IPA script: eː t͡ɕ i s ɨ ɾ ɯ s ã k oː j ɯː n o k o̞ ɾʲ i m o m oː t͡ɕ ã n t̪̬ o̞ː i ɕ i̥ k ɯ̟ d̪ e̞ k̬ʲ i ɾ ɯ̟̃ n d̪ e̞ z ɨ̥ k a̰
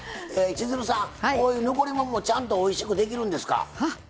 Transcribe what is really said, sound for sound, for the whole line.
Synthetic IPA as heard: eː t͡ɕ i z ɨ ɾ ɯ s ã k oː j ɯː n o k o̞ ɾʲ i m o m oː t͡ɕ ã n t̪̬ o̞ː i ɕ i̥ k ɯ̟ d̪ e̞ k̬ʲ i ɾ ɯ̟̃ n d̪ e̞ s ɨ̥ k a̰